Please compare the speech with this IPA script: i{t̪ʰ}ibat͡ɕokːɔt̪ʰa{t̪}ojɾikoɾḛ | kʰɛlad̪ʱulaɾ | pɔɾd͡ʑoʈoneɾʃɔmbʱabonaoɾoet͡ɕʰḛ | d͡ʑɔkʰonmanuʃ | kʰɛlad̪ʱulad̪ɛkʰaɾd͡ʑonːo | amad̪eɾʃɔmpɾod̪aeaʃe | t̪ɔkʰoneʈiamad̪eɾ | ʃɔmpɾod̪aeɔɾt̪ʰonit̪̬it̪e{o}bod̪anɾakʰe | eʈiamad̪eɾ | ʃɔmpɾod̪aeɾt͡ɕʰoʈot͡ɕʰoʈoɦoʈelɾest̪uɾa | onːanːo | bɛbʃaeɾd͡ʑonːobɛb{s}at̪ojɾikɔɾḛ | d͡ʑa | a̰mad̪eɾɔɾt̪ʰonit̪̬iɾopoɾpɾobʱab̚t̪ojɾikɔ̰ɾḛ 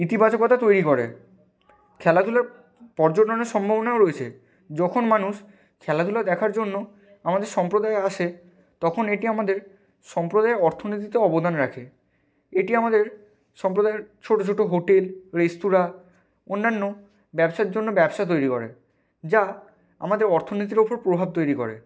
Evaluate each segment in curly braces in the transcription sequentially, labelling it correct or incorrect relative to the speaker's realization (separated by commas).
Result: incorrect, correct, incorrect, incorrect